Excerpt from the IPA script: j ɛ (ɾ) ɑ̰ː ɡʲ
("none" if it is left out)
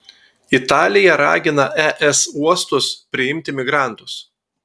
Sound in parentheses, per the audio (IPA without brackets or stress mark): ɾ